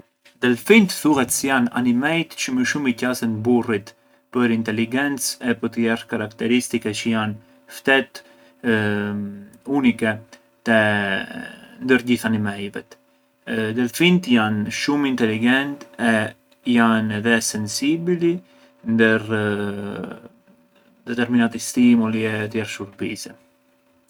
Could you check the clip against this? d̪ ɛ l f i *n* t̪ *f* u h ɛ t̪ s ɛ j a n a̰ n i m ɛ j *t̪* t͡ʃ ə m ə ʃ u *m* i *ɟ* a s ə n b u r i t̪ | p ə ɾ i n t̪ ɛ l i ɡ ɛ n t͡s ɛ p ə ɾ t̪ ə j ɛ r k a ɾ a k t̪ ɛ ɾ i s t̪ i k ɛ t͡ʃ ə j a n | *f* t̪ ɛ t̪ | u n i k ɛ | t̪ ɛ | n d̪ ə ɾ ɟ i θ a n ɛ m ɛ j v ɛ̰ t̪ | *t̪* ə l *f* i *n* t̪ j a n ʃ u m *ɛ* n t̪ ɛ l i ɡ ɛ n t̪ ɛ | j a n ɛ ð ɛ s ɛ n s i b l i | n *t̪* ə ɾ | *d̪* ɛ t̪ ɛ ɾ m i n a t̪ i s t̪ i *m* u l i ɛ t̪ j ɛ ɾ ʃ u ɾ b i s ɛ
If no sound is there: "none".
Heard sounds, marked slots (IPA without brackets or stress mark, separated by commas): n, θ, t̪, m, c, f, d̪, f, n, i, d̪, d̪, m